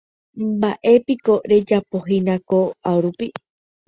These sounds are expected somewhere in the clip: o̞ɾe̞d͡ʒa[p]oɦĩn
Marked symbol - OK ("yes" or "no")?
yes